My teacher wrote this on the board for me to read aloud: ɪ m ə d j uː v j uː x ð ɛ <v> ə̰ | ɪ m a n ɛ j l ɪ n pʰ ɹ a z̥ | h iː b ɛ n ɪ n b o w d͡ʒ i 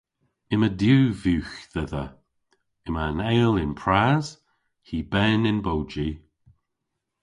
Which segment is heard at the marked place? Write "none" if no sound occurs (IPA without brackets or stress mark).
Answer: ð